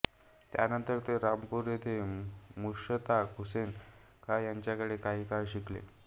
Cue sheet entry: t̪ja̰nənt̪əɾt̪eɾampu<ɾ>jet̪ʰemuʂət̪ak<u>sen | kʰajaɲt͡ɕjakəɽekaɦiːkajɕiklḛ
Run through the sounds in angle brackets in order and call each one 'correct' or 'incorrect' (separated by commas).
correct, correct